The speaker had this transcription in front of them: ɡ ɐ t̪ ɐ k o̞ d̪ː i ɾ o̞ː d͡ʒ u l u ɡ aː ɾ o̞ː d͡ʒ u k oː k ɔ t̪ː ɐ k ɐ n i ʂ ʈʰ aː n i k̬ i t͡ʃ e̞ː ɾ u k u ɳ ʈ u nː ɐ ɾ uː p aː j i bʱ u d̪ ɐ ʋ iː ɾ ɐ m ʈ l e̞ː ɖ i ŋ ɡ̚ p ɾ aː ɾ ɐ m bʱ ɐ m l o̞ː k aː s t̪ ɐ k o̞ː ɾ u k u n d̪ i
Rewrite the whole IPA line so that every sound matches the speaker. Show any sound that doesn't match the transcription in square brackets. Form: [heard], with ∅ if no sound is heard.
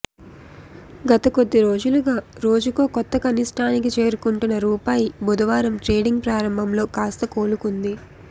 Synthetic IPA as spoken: ɡ ɐ t̪ ɐ k o̞ d̪ː i ɾ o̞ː d͡ʒ u l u ɡ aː ɾ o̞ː d͡ʒ u k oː k ɔ t̪ː ɐ k ɐ n i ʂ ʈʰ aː n i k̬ i t͡ʃ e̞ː ɾ u k u ɳ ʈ u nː ɐ ɾ uː p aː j i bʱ u d̪ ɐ ʋ [aː] ɾ ɐ m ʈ [ɾ] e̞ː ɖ i ŋ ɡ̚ p ɾ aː ɾ ɐ m bʱ ɐ m l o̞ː k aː s t̪ ɐ k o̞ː [l] u k u n d̪ i